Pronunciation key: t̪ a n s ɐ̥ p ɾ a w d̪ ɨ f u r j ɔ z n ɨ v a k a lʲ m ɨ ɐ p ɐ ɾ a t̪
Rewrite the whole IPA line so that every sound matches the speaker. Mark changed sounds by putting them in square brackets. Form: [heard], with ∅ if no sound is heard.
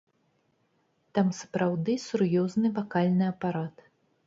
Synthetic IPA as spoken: t̪ a [m] s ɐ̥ p ɾ a w d̪ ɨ [s] u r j ɔ z n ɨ v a k a lʲ [n] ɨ ɐ p [a] ɾ a t̪